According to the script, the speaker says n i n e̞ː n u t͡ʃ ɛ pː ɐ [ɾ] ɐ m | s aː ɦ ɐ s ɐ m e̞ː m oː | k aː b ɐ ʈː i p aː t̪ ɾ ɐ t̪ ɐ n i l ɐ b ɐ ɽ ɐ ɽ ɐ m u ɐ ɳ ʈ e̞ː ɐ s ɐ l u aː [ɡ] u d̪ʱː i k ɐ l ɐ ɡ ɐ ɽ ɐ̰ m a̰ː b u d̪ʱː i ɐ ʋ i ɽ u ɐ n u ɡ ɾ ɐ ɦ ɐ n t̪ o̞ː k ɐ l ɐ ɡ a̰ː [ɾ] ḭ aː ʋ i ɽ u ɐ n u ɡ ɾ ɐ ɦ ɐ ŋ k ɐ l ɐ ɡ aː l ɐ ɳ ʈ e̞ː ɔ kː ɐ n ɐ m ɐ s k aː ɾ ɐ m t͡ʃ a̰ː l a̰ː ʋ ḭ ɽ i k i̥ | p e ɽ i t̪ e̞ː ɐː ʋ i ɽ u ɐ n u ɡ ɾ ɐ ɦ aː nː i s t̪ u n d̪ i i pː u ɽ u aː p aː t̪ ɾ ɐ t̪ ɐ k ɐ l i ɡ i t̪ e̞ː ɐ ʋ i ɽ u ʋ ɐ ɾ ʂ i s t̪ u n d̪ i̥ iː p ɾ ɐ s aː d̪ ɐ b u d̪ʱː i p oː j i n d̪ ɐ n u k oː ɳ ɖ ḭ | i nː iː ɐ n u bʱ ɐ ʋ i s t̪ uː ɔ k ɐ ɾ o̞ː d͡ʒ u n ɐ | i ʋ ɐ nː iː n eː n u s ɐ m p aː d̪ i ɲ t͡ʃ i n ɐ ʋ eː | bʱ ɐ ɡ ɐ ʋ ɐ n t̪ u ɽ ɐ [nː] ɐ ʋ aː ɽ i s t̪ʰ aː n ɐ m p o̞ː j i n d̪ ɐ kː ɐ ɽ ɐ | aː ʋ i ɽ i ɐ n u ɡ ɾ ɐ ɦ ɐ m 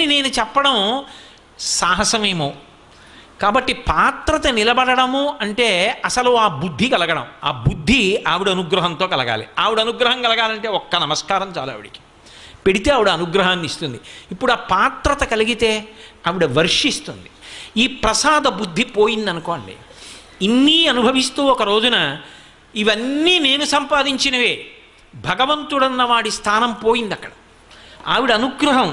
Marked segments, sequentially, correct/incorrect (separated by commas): incorrect, incorrect, incorrect, correct